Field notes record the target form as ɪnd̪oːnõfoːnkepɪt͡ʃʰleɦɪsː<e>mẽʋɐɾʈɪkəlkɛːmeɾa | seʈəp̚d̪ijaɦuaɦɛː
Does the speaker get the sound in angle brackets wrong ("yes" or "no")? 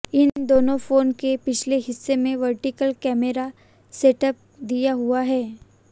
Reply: no